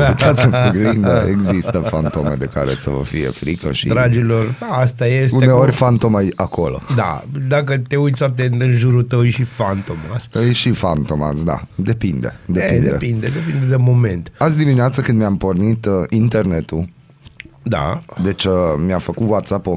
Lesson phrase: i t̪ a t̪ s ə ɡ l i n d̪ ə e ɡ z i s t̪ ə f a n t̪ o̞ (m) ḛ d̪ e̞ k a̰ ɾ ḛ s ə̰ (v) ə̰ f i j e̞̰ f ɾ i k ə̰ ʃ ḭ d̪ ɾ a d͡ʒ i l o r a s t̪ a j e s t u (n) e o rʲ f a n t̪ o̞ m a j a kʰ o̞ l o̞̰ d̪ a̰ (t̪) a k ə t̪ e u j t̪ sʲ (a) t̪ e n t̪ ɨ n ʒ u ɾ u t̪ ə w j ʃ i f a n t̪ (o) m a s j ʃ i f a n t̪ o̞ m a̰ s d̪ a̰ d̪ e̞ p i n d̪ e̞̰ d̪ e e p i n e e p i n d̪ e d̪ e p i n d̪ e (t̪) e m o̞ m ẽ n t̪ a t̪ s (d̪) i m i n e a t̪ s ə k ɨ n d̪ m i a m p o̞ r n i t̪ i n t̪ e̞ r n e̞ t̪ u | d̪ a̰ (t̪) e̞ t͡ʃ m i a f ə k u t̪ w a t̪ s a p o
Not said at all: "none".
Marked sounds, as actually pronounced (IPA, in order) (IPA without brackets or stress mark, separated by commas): m, v, n, d̪, a, o, d̪, d̪, d̪